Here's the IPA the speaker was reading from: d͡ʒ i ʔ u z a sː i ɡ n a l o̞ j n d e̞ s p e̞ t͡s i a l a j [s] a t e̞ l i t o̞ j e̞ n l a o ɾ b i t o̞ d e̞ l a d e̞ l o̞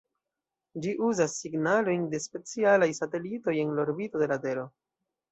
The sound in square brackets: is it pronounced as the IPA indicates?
yes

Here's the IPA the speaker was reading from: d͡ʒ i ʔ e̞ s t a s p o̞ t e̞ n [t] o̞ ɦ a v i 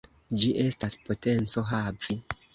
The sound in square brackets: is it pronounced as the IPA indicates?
no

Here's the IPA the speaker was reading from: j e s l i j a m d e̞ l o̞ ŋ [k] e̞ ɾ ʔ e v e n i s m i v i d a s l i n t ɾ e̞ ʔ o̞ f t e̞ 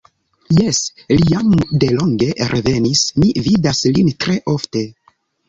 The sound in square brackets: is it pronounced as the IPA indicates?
no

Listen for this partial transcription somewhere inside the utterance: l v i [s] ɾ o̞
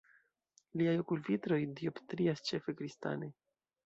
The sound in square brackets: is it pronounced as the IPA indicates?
no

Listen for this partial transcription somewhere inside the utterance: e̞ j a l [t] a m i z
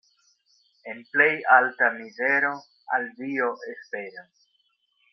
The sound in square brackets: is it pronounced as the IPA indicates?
yes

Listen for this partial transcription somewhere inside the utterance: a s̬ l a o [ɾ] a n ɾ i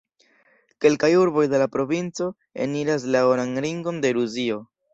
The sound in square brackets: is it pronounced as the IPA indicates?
yes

